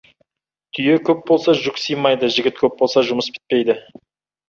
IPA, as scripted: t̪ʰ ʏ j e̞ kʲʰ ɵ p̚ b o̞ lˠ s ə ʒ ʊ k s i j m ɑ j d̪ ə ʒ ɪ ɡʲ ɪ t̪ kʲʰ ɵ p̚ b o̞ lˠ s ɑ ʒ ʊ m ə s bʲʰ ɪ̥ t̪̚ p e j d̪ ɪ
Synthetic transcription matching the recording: t̪ʰ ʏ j e̞ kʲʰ ɵ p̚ b o̞ lˠ s ɑ ʒ ʊ k s i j m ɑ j d̪ ə ʒ ɪ ɡʲ ɪ t̪ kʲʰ ɵ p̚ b o̞ lˠ s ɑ ʒ ʊ m ə s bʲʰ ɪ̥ t̪̚ p e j d̪ ɪ